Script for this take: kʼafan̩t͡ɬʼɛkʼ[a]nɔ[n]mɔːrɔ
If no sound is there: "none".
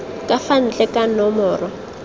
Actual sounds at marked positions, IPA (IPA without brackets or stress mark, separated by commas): a, none